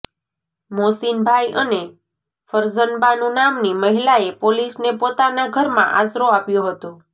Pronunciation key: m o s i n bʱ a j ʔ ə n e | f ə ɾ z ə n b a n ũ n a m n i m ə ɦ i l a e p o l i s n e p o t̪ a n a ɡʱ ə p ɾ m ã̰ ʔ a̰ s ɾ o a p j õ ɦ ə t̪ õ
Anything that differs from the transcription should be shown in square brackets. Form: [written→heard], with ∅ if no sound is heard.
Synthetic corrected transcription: m o s i n bʱ a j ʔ ə n e | f ə ɾ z ə n b a n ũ n a m n i m ə ɦ i l a e p o l i s n e p o t̪ a n a ɡʱ ə [p→∅] ɾ m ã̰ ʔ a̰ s ɾ o a p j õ ɦ ə t̪ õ